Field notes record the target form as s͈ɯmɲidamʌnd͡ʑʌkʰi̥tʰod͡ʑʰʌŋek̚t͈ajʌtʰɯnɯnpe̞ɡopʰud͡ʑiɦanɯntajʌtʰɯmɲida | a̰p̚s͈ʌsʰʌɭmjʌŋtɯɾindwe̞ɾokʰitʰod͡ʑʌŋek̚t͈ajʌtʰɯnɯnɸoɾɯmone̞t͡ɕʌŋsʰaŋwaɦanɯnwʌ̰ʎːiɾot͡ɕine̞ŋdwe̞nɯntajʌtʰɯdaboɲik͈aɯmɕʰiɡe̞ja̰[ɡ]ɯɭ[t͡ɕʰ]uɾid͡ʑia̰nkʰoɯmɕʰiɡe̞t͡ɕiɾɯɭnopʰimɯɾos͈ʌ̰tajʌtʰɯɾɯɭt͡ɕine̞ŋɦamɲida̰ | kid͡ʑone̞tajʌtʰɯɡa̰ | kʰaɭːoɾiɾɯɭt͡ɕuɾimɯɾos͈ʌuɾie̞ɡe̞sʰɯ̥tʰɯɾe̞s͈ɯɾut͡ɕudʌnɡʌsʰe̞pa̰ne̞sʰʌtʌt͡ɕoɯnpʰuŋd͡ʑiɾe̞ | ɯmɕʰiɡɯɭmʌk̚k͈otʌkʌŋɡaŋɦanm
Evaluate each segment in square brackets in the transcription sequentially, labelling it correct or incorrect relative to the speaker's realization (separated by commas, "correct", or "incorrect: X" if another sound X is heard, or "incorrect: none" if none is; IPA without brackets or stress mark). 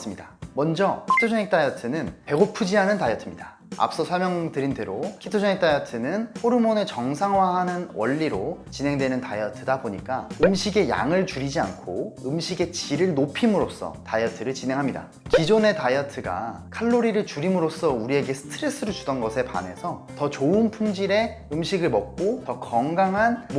incorrect: ŋ, incorrect: t͡ɕ